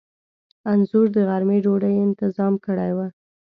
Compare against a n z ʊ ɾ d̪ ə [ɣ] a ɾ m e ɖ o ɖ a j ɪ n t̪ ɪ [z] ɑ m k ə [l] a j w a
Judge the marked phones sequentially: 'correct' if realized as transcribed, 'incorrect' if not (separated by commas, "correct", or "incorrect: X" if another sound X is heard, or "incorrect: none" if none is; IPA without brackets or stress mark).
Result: correct, correct, incorrect: ɽ